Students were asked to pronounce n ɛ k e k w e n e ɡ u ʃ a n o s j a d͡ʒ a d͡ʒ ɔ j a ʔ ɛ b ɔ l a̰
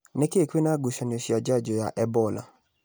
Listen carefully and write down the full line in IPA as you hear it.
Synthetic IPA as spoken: n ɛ k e k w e n a ɡ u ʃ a n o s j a d͡ʒ a d͡ʒ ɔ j a ʔ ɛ b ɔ l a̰

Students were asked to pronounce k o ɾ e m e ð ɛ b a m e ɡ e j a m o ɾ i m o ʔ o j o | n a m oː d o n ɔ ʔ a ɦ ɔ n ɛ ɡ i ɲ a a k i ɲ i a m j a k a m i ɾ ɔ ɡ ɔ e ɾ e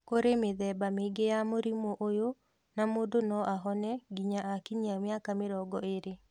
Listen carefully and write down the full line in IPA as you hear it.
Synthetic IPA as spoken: k o ɾ e m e ð ɛ b a m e ɡ e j a m o ɾ i m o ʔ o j o | n a m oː d o n ɔ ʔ a ɦ ɔ n ɛ ɡ i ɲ a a k i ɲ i a m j a k a m e ɾ ɔ ɡ ɔ e ɾ e

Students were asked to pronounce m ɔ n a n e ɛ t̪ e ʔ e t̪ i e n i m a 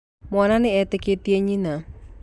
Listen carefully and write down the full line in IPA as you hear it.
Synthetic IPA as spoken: m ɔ n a n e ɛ t̪ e k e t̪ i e ɲ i n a

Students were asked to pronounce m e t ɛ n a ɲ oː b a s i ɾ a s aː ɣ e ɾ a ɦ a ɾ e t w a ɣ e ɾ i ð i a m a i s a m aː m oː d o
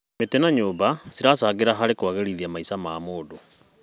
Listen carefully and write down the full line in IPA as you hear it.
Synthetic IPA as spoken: m e t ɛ n a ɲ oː b a s i ɾ a s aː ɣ e ɾ a ɦ a ɾ e k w a ɣ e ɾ i ð i a m a i s a m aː m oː d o

